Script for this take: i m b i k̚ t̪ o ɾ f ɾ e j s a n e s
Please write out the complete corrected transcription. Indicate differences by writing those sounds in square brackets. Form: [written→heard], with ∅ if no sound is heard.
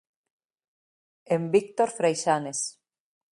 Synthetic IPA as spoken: [i→e] m b i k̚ t̪ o ɾ f ɾ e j [s→ʃ] a n e s